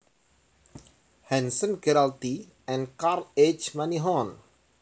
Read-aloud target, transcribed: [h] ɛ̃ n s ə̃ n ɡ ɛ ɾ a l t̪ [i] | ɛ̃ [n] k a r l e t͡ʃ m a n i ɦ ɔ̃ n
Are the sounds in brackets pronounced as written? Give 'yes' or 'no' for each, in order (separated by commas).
yes, yes, yes